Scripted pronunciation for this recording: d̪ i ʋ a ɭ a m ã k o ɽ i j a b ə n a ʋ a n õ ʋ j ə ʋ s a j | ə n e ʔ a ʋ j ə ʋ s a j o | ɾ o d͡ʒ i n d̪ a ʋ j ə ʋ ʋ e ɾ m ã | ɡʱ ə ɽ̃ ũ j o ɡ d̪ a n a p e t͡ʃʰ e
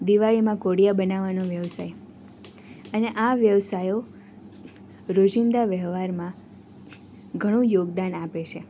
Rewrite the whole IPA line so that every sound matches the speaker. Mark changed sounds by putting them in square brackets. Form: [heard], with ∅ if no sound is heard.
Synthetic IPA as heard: d̪ i ʋ a ɭ [i] m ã k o ɽ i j a b ə n a ʋ a n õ ʋ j ə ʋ s a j | ə n e ʔ a ʋ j ə ʋ s a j o | ɾ o d͡ʒ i n d̪ a ʋ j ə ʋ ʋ [a] ɾ m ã | ɡʱ ə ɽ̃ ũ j o ɡ d̪ a n a p e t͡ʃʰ e

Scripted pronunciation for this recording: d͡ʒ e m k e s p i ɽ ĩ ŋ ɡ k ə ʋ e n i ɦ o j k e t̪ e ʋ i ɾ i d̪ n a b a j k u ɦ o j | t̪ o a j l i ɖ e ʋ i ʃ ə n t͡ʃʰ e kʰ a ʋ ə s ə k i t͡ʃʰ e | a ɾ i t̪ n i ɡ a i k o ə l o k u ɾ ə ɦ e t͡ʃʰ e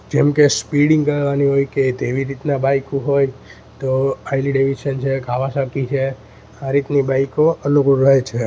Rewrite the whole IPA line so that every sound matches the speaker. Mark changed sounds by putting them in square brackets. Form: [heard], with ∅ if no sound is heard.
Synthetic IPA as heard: d͡ʒ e m k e s p i ɽ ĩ ŋ ɡ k ə ʋ [a] n i ɦ o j k e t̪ e ʋ i ɾ i [t̪] n a b a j k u ɦ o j | t̪ o a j l i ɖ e ʋ i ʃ ə n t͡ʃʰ e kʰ a ʋ [a] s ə k i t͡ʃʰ e | a ɾ i t̪ n i [b] a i k o ə l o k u ɾ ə ɦ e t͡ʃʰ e

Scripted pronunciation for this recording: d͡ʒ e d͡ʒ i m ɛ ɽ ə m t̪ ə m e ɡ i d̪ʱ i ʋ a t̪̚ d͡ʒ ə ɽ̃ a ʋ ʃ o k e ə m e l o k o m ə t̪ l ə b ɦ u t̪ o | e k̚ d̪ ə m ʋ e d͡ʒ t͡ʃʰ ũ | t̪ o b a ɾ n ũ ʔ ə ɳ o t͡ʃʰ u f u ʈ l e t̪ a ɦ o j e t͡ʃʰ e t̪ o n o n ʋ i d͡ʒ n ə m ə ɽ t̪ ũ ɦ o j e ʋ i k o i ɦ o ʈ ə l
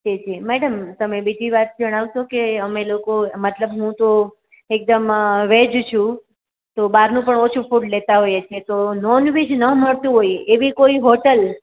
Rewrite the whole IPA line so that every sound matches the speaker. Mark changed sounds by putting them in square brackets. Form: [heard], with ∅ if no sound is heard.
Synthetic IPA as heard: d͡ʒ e d͡ʒ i m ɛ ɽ ə m t̪ ə m e [b] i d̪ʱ i ʋ a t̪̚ d͡ʒ ə ɽ̃ a ʋ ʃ o k e ə m e l o k o m ə t̪ l ə b ɦ [ũ] t̪ o | e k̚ d̪ ə m ʋ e d͡ʒ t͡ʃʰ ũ | t̪ o b a ɾ n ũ [p] ə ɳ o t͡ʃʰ u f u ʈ l e t̪ a ɦ o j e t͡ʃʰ e t̪ o n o n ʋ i d͡ʒ n ə m ə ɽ t̪ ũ ɦ o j e ʋ i k o i ɦ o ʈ ə l

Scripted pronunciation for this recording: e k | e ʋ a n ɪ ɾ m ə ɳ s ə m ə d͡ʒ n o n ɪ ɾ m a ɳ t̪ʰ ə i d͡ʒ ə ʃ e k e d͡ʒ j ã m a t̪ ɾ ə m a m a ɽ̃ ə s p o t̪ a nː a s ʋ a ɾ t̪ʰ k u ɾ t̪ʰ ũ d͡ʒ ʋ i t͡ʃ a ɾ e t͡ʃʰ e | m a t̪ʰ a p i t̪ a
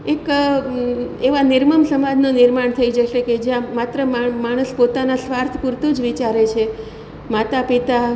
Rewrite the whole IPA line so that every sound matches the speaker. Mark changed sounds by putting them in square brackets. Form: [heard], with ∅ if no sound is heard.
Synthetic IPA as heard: e k | e ʋ a n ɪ ɾ m ə [m] s ə m [a] d͡ʒ n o n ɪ ɾ m a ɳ t̪ʰ ə i d͡ʒ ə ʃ e k e d͡ʒ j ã m a t̪ ɾ ə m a m a ɽ̃ ə s p o t̪ a [n] a s ʋ a ɾ t̪ʰ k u ɾ [t̪] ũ d͡ʒ ʋ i t͡ʃ a ɾ e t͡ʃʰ e | m a [t̪] a p i t̪ a

